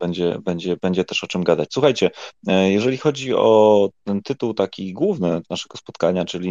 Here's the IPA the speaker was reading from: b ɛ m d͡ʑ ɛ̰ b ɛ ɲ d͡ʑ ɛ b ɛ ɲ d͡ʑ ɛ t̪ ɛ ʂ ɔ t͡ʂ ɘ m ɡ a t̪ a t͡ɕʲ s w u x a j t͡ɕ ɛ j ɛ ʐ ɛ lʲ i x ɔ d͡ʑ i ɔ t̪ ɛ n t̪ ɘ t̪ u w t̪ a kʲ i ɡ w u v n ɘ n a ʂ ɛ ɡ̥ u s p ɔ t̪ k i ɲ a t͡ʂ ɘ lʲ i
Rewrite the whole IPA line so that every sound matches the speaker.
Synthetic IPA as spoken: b ɛ ɲ d͡ʑ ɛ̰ b ɛ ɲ d͡ʑ ɛ b ɛ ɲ d͡ʑ ɛ t̪ ɛ ʂ ɔ t͡ʂ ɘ m ɡ a d̪ a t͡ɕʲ s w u x a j t͡ɕ ɛ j ɛ ʐ ɛ lʲ i x ɔ d͡ʑ i ɔ t̪ ɛ n t̪ ɘ t̪ u w t̪ a kʲ i ɡ w u v n ɘ n a ʂ ɛ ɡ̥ ɔ s p ɔ t̪ k a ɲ a t͡ʂ ɘ lʲ i